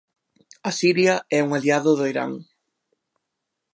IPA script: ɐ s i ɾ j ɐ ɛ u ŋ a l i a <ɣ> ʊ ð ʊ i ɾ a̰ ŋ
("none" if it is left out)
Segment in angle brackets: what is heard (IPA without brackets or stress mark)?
ð